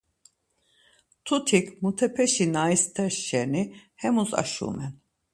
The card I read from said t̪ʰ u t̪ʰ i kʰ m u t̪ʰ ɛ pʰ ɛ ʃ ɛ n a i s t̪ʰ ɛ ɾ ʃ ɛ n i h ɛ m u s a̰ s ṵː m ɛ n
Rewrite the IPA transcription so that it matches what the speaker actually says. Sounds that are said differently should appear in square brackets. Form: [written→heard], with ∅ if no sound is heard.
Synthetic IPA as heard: t̪ʰ u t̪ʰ i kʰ m u t̪ʰ ɛ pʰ ɛ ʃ [ɛ→i] n a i s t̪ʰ ɛ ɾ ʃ ɛ n i h ɛ m u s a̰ [s→ʃ] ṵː m ɛ n